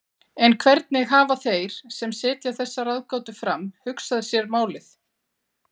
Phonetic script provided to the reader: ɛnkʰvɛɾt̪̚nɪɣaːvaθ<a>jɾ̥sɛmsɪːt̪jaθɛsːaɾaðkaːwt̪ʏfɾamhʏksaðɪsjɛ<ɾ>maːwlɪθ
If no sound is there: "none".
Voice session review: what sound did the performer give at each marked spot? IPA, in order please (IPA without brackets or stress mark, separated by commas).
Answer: e, ɾ